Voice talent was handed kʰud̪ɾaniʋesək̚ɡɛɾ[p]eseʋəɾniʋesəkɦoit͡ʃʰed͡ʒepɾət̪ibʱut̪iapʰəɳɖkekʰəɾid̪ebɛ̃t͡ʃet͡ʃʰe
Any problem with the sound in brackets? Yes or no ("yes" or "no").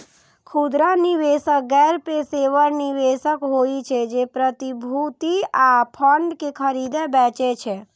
no